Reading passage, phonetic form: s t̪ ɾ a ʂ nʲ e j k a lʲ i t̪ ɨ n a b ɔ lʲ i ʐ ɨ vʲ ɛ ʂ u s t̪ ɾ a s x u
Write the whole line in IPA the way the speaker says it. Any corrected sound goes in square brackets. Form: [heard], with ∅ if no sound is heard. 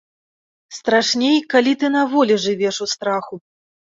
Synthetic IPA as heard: s t̪ ɾ a ʂ nʲ e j k a lʲ i t̪ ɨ n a [v] ɔ lʲ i ʐ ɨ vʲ ɛ ʂ u s t̪ ɾ a [∅] x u